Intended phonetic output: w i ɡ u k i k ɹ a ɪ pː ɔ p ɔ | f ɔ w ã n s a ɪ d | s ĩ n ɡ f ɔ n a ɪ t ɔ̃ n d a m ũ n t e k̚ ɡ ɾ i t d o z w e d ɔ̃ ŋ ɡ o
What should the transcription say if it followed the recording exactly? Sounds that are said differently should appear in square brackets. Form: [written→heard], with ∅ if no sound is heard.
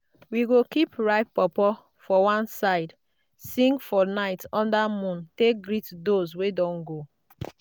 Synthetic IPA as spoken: w i ɡ [u→o] k i [k→p] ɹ a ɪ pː ɔ p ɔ | f ɔ w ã n s a ɪ d | s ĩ [n→ŋ] ɡ f ɔ n a ɪ t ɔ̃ n d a m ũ n t e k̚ ɡ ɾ i t d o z w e d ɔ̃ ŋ ɡ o